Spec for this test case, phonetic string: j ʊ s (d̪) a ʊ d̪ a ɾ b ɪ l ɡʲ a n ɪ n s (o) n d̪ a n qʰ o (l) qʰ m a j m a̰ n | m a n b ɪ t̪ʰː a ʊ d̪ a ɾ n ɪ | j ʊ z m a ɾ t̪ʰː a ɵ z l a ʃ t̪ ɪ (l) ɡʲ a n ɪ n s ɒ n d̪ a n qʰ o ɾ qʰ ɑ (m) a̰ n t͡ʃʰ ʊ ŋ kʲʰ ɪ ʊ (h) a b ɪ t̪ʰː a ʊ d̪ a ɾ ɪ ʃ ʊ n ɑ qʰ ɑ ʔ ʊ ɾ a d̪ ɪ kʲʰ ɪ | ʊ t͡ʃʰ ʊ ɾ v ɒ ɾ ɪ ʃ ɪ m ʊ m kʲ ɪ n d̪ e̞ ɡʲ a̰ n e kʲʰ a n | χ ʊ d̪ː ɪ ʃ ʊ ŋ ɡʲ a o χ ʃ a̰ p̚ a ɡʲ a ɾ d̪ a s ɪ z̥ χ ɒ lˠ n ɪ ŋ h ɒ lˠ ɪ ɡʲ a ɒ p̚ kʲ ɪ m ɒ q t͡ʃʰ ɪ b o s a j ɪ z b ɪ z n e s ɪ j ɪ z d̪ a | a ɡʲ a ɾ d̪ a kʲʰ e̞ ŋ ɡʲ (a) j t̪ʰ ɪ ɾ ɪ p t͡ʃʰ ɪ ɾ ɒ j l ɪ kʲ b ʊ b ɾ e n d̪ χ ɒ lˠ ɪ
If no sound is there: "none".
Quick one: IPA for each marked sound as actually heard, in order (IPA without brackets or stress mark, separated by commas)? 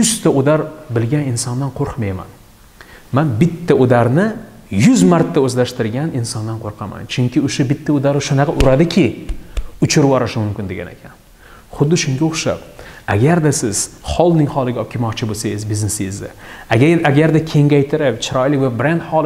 t̪, ɒ, ɾ, ɾ, m, ʃ, a